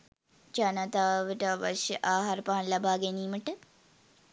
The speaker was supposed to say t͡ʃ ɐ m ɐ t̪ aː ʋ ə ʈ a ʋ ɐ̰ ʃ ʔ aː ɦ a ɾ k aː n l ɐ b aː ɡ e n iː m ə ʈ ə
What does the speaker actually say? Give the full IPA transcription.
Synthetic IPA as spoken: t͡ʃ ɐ n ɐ t̪ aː ʋ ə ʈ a ʋ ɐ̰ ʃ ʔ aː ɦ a ɾ p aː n l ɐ b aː ɡ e n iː m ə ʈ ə